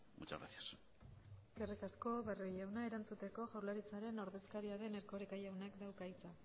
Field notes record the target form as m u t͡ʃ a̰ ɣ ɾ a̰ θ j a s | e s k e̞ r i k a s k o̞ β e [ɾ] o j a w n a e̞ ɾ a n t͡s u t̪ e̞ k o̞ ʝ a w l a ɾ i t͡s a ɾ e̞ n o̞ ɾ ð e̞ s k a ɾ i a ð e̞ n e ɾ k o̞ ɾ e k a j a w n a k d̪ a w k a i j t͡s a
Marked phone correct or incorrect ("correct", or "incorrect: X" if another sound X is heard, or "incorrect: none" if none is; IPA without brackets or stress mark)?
incorrect: r